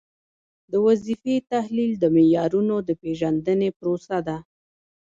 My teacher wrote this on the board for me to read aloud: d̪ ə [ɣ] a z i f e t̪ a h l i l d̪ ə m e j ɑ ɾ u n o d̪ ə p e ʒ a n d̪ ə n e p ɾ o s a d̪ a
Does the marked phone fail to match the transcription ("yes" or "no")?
yes